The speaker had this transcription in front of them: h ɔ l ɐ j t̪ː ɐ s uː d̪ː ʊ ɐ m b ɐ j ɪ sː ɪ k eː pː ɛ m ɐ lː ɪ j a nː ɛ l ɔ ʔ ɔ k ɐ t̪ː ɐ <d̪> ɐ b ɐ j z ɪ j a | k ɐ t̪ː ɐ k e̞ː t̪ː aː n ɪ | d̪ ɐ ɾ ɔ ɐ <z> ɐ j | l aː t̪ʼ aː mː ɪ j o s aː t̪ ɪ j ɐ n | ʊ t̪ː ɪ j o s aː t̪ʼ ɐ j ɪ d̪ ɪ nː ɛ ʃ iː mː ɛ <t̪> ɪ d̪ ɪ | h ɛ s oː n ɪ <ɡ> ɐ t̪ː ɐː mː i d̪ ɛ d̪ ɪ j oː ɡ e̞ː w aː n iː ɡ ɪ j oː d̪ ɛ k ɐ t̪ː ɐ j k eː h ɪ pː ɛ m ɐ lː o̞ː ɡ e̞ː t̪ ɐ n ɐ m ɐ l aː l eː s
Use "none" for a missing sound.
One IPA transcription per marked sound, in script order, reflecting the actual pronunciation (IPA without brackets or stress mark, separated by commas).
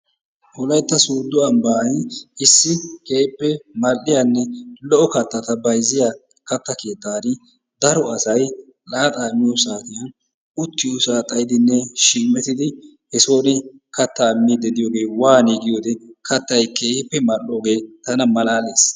t̪, s, t̪, k